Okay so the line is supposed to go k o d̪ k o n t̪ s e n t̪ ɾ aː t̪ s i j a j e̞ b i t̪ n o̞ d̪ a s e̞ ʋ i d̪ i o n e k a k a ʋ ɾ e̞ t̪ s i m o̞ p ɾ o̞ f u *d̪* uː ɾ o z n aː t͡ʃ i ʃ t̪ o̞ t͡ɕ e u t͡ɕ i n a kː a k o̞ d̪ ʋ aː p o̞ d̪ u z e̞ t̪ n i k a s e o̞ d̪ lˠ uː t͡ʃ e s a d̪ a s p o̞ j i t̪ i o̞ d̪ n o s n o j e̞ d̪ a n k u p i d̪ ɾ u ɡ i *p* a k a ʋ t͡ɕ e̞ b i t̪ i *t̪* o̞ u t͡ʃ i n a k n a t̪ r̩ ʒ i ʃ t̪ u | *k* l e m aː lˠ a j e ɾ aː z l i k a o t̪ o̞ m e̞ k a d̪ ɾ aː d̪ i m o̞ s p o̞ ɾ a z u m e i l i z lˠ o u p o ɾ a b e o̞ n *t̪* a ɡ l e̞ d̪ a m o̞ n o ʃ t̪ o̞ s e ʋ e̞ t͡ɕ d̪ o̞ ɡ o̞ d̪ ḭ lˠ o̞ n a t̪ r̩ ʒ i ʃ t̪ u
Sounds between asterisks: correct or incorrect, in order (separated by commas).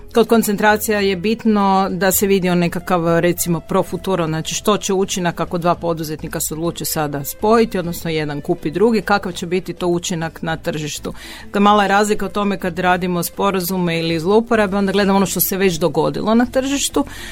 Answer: incorrect, incorrect, correct, correct, incorrect